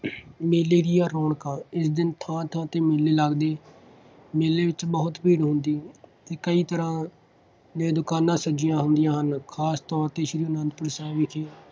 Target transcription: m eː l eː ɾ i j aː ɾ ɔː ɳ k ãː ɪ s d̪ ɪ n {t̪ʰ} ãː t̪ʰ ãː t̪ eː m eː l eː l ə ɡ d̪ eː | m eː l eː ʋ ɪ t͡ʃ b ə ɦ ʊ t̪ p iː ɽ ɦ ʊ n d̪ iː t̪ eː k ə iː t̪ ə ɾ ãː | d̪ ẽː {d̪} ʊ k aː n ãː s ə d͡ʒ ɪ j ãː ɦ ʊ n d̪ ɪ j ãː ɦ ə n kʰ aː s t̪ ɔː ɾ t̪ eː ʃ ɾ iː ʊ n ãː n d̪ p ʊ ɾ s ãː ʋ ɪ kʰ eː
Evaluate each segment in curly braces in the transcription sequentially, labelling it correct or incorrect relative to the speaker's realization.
correct, correct

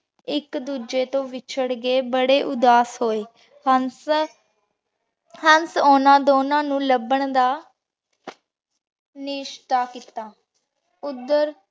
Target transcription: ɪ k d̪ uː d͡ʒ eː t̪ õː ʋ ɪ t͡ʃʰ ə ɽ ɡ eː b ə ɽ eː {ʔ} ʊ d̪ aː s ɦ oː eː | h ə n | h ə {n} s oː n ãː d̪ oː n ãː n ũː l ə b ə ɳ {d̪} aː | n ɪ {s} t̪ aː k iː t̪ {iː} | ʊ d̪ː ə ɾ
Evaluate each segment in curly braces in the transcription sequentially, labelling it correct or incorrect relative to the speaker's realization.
correct, correct, correct, incorrect: ʃ, incorrect: aː

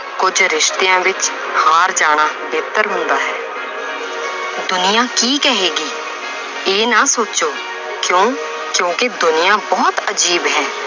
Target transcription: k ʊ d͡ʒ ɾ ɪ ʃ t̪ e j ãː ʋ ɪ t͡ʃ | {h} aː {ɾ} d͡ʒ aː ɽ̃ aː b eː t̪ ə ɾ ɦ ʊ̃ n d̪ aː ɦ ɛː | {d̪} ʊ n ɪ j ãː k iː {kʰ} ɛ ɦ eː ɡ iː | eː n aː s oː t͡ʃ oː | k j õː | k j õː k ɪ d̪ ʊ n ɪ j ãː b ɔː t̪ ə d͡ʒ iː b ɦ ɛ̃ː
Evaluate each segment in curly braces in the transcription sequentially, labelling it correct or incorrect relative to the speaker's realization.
correct, correct, correct, incorrect: k

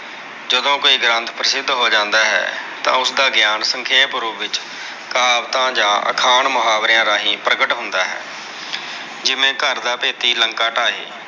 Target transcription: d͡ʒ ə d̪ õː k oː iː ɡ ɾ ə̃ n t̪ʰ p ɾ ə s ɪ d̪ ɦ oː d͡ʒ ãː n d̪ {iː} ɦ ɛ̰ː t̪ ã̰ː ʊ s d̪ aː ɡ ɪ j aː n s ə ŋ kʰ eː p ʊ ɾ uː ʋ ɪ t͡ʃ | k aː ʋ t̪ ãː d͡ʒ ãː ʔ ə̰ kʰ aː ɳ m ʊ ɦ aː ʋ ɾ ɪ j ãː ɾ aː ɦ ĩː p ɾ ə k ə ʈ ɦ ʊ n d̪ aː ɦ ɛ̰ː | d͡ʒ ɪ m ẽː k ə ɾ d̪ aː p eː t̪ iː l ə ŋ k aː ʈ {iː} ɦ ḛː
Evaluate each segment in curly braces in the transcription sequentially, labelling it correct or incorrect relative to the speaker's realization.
incorrect: aː, incorrect: aː

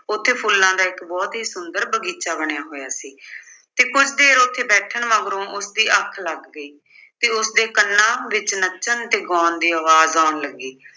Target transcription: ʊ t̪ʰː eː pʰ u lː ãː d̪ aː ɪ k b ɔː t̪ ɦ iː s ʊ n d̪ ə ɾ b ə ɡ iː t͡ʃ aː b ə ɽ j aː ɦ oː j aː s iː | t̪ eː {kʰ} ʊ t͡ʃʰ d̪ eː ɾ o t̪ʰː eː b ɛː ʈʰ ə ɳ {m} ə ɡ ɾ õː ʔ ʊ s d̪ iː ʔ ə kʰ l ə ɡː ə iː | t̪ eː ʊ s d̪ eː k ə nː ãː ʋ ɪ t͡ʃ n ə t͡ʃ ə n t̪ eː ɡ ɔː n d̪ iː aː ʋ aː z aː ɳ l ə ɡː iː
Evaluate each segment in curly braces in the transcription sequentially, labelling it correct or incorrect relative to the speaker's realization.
incorrect: k, correct

